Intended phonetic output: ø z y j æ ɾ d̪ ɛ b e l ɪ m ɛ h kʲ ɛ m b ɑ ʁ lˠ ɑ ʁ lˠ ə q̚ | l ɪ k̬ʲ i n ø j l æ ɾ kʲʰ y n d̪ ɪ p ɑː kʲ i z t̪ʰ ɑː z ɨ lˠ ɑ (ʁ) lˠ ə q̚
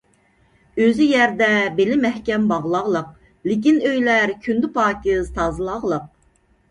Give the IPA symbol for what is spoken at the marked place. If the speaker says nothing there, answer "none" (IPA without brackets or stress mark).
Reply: ʁ